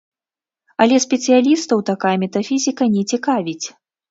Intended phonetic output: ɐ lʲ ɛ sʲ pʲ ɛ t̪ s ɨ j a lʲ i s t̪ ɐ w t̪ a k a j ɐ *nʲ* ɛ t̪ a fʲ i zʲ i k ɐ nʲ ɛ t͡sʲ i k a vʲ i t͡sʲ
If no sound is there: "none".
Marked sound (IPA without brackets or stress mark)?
mʲ